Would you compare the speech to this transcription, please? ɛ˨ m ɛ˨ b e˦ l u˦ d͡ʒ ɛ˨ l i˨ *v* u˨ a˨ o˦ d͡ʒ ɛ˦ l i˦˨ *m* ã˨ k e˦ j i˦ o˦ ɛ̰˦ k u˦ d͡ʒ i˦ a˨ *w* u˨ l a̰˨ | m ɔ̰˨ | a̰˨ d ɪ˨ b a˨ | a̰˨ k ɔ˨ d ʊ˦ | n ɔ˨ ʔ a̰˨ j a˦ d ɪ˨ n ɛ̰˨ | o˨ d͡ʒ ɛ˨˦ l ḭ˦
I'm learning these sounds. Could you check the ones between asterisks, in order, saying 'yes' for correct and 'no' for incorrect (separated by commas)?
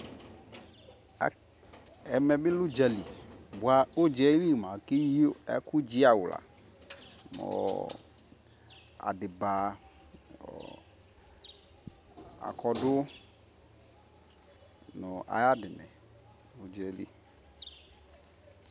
no, yes, yes